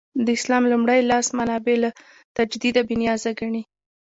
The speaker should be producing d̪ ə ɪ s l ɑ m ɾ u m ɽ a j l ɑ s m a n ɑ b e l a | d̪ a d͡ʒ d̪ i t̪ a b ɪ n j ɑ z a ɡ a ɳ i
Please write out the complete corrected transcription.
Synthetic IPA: d̪ ə ɪ s l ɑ m l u m ɽ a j l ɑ s m a n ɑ b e l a | t̪ a d͡ʒ d̪ i d̪ a b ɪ n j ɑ z a ɡ a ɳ i